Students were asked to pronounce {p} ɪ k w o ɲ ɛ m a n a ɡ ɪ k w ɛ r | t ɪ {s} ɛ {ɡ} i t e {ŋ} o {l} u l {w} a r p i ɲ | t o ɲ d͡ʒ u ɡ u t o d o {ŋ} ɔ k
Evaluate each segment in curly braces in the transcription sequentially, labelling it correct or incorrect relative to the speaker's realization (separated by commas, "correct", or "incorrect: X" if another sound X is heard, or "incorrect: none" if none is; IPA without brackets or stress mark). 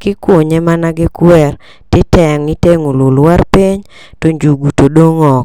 incorrect: k, incorrect: t, incorrect: ŋ, correct, correct, correct, correct